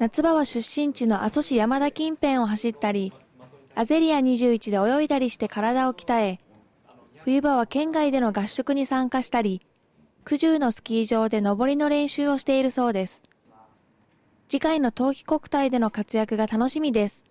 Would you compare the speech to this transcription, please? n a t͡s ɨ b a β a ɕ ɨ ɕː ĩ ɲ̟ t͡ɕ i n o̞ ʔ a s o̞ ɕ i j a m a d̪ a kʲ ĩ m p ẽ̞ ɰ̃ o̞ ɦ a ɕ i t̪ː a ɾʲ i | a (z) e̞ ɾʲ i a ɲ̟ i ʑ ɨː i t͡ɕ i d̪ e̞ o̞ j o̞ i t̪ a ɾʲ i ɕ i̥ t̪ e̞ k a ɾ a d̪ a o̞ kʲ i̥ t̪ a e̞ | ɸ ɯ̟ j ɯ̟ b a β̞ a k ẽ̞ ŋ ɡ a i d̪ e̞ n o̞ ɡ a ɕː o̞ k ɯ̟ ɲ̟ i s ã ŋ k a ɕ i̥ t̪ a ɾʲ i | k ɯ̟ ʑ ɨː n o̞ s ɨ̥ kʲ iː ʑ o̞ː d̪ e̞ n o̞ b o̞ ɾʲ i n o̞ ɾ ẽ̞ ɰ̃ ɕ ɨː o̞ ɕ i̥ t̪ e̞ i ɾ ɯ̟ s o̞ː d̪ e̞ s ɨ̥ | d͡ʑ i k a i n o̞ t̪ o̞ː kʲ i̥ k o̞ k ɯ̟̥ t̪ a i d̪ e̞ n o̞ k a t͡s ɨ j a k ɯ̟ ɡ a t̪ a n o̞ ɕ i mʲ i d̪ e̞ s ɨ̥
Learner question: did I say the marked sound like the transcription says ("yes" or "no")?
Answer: yes